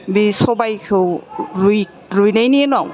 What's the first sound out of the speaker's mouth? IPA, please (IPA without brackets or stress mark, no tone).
b